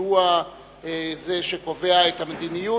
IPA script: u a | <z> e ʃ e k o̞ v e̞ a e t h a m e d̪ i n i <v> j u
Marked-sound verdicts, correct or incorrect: correct, incorrect: none

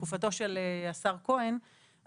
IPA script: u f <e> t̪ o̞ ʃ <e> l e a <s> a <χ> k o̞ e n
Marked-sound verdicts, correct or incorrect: incorrect: a, correct, correct, incorrect: ʁ

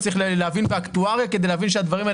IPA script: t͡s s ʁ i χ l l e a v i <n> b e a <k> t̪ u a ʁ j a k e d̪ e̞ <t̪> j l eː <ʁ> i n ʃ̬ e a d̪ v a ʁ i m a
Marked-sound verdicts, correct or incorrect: correct, correct, incorrect: none, incorrect: v

